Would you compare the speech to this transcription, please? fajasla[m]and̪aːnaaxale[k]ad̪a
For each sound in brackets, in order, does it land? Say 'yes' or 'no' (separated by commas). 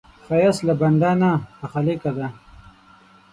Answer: no, yes